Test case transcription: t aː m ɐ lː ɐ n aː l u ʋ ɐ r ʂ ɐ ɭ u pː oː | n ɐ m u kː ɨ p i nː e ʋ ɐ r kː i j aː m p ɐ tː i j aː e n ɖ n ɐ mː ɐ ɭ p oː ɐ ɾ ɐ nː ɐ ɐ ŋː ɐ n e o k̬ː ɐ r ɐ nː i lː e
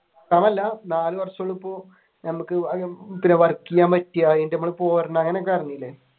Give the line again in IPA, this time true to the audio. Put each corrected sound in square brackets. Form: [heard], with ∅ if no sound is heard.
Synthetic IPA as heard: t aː m ɐ lː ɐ n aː l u ʋ ɐ r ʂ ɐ ɭ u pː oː | n ɐ m u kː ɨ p i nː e ʋ ɐ r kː i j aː m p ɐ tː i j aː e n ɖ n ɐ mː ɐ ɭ p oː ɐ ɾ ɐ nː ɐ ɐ ŋː ɐ n e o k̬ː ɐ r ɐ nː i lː e